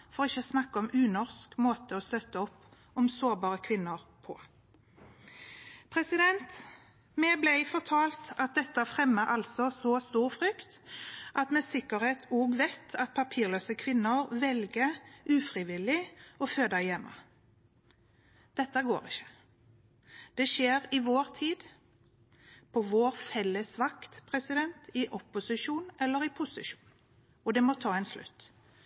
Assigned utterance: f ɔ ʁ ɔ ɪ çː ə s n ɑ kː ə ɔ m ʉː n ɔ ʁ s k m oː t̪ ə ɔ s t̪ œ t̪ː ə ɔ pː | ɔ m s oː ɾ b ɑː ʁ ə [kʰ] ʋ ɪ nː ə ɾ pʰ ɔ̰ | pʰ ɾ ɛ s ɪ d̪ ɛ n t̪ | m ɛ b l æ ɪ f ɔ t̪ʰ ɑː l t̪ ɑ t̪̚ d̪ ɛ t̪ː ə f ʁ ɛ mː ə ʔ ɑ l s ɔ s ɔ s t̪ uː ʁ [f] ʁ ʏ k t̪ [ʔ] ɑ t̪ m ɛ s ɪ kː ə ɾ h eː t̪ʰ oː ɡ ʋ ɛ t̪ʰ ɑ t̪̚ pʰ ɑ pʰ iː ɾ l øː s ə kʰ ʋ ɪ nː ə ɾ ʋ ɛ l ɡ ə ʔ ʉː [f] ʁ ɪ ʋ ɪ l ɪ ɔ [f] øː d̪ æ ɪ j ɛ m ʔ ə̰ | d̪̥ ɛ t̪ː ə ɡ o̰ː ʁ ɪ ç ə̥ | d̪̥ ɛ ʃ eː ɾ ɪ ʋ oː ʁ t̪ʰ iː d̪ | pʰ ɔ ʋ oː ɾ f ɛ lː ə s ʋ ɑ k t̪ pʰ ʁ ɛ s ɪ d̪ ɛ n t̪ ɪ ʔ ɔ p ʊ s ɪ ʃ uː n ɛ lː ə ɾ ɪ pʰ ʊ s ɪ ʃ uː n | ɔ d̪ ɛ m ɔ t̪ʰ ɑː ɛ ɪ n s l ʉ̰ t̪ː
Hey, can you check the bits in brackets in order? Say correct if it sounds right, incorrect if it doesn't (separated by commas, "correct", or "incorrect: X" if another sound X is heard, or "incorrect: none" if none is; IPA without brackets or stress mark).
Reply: correct, correct, correct, correct, correct